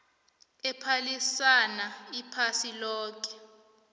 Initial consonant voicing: voiceless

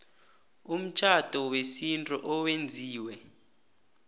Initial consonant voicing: voiced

